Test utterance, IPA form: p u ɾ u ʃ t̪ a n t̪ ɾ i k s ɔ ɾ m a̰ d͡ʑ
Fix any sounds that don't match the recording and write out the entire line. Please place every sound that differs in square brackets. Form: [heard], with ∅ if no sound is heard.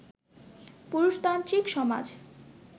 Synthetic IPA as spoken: p u ɾ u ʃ t̪ a n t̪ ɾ i k [ʃ] ɔ [∅] m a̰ d͡ʑ

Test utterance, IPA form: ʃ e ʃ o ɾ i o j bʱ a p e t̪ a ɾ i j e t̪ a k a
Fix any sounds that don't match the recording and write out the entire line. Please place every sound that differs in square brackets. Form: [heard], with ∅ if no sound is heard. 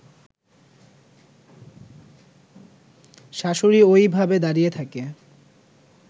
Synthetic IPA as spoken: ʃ [a] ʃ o ɾ i o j bʱ a [b] e [d̪] a ɾ i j e [t̪ʰ] a k [e]

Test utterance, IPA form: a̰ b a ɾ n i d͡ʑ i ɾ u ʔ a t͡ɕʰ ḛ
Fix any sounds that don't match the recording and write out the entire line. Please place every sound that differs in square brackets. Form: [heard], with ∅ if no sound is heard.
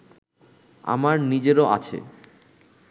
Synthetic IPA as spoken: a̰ [m] a ɾ n i d͡ʑ [e] ɾ [o] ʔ a t͡ɕʰ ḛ

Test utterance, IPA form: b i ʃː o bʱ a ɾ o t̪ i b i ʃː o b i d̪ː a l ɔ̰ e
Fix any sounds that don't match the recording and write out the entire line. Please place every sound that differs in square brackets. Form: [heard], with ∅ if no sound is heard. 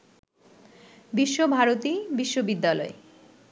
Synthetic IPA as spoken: b i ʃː o bʱ a ɾ o t̪ i b i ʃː o b i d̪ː a l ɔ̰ e

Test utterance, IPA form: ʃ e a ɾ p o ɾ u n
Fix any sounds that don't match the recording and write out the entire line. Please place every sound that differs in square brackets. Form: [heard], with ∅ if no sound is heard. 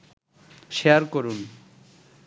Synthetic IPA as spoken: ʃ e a ɾ [k] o ɾ u n

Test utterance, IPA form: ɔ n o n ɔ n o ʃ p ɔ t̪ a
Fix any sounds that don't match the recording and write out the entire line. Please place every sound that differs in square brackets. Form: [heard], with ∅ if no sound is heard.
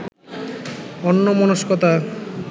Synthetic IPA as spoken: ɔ [nː] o [m] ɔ n o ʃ [k] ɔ t̪ a

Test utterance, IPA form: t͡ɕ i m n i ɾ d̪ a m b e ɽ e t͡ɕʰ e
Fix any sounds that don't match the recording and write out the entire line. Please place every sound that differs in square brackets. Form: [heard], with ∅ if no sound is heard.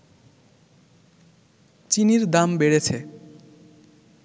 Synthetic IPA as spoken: t͡ɕ i [∅] n i ɾ d̪ a m b e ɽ e t͡ɕʰ e

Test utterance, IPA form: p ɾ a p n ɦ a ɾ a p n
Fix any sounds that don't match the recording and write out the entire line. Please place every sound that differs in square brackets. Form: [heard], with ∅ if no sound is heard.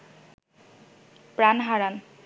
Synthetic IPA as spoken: p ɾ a [∅] n ɦ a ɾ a [∅] n

